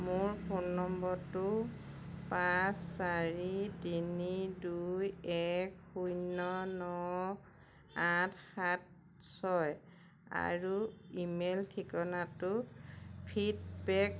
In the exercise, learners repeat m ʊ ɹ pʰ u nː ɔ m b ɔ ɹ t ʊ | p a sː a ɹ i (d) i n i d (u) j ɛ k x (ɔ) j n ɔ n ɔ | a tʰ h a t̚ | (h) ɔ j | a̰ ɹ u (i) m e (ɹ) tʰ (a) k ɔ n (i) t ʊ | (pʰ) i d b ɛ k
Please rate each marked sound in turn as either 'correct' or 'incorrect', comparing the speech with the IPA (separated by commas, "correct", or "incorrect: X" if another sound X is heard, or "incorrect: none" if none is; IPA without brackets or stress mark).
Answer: incorrect: t, correct, incorrect: u, incorrect: s, correct, incorrect: l, incorrect: i, incorrect: a, correct